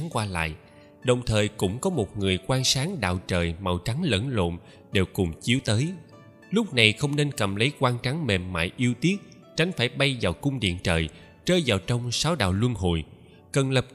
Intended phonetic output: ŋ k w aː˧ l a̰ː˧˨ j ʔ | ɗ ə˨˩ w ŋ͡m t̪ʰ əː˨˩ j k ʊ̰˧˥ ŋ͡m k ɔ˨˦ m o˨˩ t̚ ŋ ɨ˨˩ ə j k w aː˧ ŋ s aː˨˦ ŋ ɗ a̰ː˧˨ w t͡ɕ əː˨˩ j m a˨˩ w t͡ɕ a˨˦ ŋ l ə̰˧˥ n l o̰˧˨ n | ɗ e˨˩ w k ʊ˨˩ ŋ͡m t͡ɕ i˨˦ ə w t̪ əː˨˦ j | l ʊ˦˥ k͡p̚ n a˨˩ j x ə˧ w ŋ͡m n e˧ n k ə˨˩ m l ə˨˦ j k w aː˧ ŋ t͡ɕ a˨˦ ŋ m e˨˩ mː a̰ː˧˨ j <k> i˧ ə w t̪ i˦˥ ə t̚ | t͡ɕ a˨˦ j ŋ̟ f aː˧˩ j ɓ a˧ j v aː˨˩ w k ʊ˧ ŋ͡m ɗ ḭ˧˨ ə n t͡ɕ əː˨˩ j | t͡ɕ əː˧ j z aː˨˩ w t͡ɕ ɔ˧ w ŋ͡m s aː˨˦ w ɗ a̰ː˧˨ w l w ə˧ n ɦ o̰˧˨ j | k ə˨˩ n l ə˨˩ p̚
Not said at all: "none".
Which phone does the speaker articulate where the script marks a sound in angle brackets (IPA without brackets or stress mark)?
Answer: ʔ